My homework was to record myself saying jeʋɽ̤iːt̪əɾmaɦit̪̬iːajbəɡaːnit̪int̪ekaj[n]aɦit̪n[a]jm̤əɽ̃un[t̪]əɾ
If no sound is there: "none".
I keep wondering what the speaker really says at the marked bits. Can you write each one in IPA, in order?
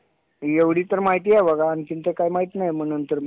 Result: m, a, t̪

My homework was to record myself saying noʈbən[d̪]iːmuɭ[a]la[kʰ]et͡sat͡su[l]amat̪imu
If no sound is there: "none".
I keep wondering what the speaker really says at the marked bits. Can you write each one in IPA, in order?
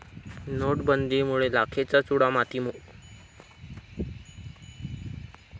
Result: d̪, e, kʰ, ɽ

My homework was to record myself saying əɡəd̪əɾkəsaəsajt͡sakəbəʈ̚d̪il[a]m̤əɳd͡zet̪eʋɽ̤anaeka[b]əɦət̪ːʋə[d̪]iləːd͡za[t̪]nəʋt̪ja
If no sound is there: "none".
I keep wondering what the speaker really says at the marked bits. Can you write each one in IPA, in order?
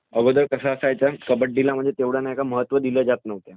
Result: a, m, d̪, t̪

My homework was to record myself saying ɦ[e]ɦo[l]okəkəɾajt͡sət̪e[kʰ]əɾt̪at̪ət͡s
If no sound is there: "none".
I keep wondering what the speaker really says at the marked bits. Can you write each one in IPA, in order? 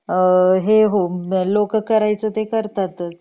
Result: e, l, k

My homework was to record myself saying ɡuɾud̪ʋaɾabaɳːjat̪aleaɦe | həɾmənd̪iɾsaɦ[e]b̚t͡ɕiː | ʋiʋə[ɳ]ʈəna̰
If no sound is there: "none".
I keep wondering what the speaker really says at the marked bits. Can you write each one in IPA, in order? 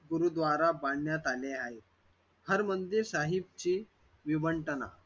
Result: i, ɳ

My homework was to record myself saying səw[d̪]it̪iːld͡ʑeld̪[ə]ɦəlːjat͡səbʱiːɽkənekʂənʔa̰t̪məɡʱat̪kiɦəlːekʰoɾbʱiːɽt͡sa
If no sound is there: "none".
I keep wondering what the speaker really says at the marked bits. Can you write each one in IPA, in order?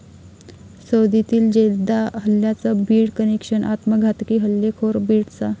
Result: d̪, a

